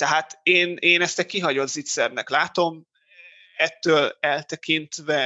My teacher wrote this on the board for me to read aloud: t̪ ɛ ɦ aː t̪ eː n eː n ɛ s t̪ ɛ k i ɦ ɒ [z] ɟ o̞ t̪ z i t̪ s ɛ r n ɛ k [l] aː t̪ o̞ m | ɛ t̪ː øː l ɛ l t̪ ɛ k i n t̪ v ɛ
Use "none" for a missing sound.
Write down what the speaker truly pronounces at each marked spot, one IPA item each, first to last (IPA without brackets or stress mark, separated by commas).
none, l